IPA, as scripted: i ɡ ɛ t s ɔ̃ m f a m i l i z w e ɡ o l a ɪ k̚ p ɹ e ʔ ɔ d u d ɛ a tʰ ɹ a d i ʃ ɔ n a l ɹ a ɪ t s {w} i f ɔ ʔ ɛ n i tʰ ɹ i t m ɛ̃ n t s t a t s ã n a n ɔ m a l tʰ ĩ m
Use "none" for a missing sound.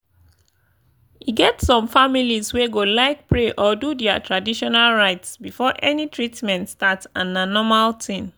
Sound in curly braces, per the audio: b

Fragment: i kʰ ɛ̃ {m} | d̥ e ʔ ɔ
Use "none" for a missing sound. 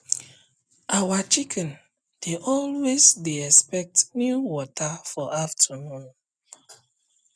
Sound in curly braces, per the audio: n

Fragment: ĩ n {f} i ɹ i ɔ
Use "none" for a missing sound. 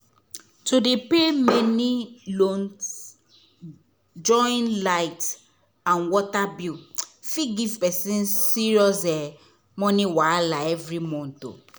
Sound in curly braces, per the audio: s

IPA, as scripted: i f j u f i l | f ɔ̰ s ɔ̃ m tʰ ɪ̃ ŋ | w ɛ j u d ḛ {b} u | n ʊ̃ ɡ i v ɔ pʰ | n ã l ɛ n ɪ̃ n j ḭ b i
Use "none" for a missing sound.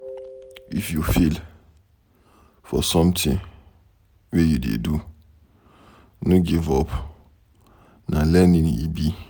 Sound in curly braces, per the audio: d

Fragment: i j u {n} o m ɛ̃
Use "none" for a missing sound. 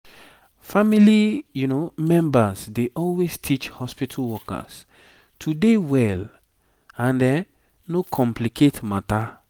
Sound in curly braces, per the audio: n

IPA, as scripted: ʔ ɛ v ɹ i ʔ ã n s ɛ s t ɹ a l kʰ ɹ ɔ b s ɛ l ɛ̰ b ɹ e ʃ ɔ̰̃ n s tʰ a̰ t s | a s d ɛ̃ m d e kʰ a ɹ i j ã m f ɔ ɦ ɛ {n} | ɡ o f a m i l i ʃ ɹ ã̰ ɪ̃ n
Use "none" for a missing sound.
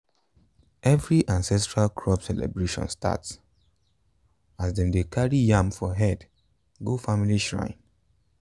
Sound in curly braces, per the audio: d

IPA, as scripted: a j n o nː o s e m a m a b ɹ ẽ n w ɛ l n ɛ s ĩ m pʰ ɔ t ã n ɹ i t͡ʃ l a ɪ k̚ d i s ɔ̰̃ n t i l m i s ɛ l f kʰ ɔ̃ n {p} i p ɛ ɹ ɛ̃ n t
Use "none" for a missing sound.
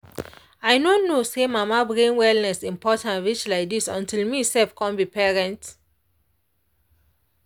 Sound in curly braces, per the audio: b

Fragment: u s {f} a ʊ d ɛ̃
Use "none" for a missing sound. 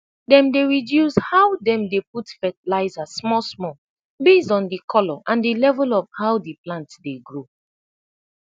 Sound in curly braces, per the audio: h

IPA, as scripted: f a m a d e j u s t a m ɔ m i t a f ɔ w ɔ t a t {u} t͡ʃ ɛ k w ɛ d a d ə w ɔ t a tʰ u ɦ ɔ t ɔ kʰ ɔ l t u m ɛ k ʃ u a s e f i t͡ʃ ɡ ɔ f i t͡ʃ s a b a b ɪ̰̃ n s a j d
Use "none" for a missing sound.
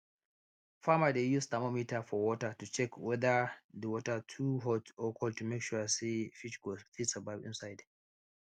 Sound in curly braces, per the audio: u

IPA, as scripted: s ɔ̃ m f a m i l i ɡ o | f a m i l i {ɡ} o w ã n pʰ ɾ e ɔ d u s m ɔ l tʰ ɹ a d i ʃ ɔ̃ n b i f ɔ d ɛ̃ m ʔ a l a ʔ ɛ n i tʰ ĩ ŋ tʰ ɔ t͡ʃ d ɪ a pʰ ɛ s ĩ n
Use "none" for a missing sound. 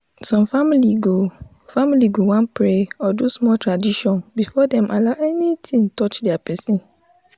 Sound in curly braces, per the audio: ɡ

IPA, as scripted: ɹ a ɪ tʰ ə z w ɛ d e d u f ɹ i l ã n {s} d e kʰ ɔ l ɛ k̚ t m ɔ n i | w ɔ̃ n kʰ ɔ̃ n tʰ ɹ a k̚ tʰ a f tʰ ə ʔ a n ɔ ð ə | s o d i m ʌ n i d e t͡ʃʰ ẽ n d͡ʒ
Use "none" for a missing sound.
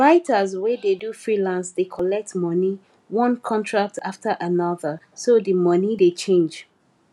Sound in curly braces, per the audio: s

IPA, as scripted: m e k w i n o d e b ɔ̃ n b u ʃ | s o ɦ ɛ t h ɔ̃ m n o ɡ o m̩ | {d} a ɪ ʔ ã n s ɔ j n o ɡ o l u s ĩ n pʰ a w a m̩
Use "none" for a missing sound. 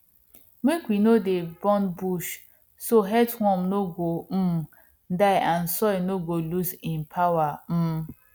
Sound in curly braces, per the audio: d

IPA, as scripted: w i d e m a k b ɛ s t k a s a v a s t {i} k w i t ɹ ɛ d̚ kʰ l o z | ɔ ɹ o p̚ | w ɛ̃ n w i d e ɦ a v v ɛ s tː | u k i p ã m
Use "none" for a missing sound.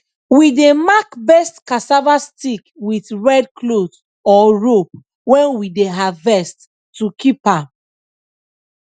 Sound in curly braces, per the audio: i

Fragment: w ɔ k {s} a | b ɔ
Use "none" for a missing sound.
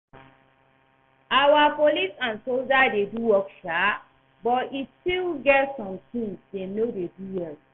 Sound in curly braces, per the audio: ʃ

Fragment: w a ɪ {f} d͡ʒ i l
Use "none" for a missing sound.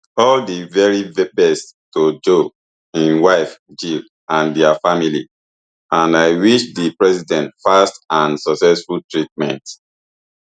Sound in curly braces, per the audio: f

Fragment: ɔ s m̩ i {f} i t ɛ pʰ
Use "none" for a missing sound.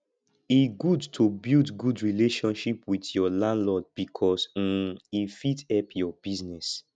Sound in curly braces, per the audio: f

